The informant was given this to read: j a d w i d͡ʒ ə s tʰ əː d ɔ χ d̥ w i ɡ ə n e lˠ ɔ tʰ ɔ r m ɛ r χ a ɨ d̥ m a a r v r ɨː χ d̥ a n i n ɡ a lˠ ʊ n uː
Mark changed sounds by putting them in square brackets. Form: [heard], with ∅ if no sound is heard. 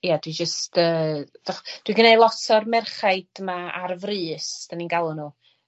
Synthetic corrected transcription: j a d w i d͡ʒ ə s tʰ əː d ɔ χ d̥ w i ɡ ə n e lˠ ɔ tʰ ɔ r m ɛ r χ a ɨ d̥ m a a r v r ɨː [s] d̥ a n i n ɡ a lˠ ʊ n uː